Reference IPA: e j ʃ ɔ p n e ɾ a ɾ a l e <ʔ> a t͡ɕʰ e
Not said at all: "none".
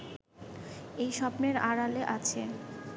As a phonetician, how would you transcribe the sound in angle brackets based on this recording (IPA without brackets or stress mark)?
ʔ